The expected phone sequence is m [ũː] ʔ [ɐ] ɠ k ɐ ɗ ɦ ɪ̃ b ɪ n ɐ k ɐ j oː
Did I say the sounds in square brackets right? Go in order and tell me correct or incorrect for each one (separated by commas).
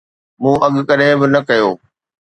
correct, correct